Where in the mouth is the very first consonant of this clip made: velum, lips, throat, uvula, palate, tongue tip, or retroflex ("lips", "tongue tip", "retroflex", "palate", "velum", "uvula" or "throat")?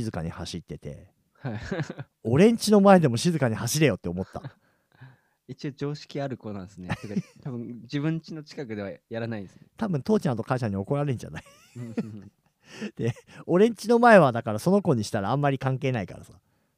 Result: tongue tip